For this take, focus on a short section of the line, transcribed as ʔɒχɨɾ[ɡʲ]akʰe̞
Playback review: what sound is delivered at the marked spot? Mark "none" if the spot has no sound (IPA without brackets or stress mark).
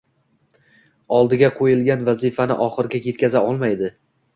ɡʲ